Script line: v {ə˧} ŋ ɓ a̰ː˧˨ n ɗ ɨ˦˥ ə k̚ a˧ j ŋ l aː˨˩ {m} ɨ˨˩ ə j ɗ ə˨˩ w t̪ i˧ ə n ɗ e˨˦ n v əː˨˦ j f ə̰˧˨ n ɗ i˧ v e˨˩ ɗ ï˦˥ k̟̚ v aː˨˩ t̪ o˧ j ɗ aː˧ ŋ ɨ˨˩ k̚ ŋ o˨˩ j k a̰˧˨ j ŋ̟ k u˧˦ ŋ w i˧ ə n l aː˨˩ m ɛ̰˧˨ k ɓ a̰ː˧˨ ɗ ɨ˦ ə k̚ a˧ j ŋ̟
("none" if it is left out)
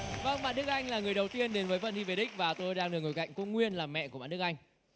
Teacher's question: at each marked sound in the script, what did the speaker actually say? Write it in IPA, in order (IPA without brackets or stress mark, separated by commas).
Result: ə˧, ŋ